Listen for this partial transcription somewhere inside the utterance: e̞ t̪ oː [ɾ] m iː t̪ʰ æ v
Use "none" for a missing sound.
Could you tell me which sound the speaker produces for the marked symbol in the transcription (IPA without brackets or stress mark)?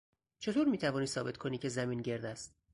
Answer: ɾ